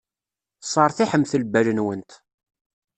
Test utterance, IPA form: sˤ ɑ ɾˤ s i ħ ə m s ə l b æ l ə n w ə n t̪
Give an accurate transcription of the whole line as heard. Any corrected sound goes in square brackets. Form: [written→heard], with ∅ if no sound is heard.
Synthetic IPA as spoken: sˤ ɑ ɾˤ [s→θ] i ħ ə m [s→θ] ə l b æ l ə n w ə n t̪